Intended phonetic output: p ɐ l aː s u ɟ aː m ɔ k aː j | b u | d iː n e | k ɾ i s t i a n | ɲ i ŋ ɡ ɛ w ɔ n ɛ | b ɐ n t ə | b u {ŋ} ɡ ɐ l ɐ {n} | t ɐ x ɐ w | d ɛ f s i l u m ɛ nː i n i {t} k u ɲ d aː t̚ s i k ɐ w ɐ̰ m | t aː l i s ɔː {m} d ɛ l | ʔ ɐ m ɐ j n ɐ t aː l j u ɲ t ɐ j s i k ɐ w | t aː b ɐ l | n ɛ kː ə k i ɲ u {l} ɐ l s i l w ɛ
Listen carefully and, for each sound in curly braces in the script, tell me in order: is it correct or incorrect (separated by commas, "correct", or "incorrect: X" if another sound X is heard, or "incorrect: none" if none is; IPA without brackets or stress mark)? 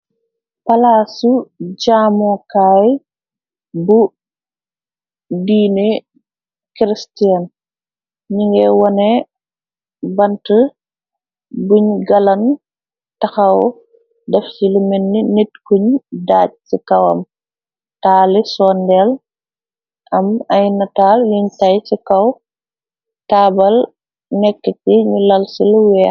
incorrect: ɲ, correct, correct, incorrect: n, correct